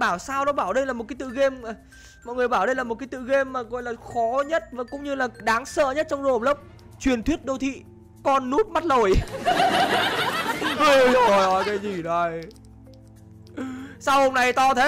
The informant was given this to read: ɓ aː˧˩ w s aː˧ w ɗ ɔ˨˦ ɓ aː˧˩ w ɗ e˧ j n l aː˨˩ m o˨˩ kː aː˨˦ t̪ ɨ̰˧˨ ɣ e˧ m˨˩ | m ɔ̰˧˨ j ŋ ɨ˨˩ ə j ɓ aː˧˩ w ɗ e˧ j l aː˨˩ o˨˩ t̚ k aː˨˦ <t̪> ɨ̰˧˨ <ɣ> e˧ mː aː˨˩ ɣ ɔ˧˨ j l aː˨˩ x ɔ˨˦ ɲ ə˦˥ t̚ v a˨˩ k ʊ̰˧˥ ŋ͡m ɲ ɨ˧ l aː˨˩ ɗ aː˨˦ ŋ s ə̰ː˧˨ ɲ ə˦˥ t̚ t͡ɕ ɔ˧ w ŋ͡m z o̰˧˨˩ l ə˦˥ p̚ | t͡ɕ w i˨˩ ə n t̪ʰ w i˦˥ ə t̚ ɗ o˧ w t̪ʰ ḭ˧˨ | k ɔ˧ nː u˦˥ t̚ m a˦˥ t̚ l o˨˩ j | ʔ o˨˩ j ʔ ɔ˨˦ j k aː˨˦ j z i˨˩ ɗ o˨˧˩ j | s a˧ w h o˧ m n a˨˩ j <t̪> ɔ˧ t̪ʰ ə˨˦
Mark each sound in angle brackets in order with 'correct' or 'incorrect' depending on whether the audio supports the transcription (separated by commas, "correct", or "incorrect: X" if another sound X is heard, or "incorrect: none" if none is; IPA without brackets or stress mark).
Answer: correct, correct, correct